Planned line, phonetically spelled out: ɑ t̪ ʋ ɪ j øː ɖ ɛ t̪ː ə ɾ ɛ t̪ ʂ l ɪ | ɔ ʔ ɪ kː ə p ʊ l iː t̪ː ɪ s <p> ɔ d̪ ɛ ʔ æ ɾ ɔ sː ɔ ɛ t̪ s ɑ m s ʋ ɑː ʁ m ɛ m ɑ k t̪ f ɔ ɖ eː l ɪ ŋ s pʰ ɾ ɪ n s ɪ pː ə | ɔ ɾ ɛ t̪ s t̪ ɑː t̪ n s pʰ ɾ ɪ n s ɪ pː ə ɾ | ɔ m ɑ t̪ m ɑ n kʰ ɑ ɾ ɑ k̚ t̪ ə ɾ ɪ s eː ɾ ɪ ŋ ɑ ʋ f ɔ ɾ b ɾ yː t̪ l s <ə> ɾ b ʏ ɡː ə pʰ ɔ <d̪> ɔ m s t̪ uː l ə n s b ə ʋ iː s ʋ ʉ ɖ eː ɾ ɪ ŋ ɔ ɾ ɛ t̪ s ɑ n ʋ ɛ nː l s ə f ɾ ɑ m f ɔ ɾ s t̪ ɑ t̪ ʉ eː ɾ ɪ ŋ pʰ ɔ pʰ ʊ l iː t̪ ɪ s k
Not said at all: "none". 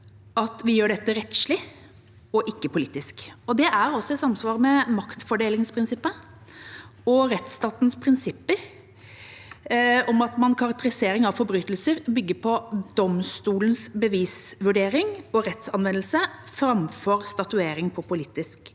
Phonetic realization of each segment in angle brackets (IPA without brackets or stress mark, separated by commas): k, ə, d̪